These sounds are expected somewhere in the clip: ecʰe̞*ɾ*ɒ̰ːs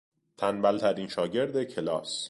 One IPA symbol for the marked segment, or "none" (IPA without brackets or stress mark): l